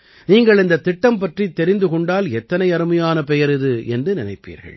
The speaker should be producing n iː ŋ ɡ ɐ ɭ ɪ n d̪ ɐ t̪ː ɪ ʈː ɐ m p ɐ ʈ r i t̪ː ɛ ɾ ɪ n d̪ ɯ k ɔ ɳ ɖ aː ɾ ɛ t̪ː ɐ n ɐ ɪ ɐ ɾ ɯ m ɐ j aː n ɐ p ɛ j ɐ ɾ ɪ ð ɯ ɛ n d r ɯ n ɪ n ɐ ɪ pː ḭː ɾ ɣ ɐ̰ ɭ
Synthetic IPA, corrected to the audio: n iː ŋ ɡ ɐ ɭ ɪ n d̪ ɐ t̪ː ɪ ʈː ɐ m p ɐ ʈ r i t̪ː ɛ ɾ ɪ n d̪ ɯ k ɔ ɳ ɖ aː l ɛ t̪ː ɐ n ɐ ɪ ɐ ɾ ɯ m ɐ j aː n ɐ p ɛ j ɐ ɾ ɪ ð ɯ ɛ n d r ɯ n ɪ n ɐ ɪ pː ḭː ɾ ɣ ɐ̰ ɭ